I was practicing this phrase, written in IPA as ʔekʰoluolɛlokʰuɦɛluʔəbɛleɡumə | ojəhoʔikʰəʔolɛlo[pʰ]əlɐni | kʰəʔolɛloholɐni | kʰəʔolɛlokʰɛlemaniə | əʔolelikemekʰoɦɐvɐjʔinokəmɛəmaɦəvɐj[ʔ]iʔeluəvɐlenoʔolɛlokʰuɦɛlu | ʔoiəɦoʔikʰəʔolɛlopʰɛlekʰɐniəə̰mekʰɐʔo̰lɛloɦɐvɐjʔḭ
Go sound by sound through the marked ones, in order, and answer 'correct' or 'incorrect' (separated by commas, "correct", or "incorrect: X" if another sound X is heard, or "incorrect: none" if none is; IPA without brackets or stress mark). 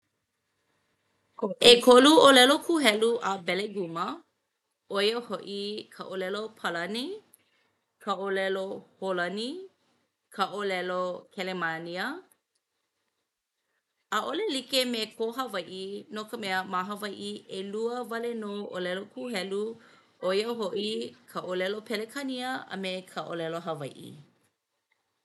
correct, correct